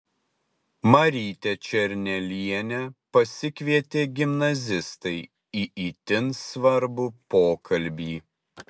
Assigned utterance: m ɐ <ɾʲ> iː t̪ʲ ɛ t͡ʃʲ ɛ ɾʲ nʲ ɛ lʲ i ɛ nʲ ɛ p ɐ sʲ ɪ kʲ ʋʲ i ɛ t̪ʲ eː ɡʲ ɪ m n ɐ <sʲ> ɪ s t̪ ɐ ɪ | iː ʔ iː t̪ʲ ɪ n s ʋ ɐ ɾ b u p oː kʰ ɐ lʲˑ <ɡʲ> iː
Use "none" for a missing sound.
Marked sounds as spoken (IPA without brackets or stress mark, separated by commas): ɾʲ, zʲ, bʲ